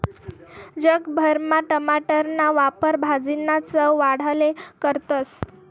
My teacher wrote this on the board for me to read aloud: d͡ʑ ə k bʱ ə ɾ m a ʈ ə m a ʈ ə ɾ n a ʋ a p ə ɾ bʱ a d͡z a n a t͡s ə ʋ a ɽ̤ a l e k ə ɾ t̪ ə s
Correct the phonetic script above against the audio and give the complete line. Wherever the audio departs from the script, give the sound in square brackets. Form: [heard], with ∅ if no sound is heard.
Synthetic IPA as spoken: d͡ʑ ə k bʱ ə ɾ m a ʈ ə m a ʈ ə ɾ n a ʋ a p ə ɾ bʱ a d͡z [i] n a t͡s ə ʋ a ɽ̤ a l e k ə ɾ t̪ ə s